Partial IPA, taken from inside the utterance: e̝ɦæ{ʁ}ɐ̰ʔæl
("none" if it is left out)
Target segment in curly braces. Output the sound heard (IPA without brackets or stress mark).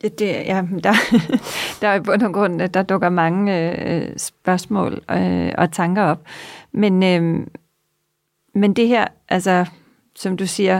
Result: none